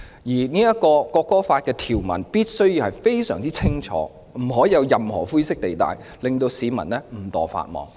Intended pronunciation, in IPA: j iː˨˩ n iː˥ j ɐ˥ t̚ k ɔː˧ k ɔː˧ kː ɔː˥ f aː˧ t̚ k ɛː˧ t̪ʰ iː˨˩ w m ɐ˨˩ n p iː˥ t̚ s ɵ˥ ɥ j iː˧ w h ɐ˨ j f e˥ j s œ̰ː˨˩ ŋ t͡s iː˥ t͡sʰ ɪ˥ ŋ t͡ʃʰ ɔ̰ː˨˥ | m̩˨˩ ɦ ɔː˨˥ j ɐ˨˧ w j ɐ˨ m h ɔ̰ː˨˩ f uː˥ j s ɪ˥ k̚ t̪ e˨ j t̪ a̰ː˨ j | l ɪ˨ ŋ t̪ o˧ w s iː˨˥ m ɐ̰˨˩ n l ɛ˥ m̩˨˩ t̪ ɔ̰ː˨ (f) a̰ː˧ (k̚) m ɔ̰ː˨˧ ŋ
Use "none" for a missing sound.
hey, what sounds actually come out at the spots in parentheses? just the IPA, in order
f, t̚

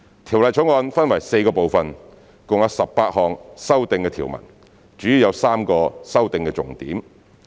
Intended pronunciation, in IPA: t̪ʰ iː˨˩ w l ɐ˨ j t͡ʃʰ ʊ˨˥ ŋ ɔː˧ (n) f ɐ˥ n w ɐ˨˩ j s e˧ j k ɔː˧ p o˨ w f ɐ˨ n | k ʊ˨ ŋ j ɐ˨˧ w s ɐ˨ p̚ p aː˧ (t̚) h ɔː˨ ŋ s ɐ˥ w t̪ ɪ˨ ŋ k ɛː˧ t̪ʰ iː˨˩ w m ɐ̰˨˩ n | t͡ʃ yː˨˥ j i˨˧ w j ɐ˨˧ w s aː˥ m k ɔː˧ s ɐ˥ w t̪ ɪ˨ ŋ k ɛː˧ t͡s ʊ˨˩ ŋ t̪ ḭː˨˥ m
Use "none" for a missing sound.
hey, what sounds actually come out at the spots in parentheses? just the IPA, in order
n, t̚

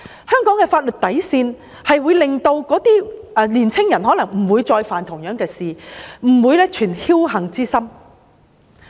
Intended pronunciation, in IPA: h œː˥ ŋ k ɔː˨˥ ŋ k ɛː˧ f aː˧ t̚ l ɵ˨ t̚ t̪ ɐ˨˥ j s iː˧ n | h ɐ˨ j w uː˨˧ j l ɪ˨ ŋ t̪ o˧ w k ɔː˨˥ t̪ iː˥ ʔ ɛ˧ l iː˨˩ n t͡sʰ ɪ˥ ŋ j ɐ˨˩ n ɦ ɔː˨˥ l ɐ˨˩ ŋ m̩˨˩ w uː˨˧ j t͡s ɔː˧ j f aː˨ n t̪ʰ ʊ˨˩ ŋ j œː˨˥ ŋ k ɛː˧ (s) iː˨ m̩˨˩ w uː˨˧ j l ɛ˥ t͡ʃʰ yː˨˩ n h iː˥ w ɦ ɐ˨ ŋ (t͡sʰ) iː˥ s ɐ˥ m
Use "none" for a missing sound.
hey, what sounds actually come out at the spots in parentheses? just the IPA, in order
s, t͡s

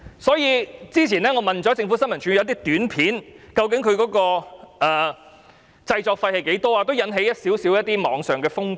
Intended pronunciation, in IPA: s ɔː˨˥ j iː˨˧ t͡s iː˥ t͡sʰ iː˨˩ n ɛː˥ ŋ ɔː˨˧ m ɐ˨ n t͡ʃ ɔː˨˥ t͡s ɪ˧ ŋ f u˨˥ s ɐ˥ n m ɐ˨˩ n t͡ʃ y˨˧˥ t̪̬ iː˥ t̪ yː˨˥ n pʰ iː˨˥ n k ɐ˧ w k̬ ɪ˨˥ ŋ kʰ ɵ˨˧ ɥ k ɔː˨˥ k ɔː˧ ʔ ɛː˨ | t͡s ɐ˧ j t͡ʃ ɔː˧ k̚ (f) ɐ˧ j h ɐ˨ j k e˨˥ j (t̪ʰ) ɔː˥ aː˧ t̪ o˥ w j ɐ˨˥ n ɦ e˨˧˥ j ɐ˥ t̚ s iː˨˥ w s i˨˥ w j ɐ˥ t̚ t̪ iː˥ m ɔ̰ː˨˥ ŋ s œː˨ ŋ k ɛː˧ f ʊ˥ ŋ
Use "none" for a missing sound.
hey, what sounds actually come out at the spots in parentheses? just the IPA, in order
f, t̪

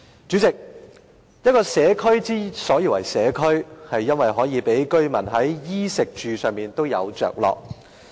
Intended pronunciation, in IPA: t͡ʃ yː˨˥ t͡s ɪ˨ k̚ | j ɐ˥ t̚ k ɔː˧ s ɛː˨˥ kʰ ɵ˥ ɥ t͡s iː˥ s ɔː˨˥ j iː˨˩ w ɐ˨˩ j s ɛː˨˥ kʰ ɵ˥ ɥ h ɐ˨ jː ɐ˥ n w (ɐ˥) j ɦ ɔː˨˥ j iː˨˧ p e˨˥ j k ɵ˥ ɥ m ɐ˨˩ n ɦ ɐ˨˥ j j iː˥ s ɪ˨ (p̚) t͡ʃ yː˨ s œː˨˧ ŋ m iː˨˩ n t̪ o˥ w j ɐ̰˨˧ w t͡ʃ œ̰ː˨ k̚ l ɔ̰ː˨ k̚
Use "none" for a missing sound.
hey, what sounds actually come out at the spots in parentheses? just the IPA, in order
ɐ˨, k̚

